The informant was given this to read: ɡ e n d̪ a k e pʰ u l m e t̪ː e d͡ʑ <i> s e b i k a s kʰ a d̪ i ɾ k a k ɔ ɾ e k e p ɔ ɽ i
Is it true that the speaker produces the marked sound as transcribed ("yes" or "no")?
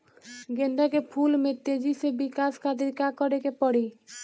yes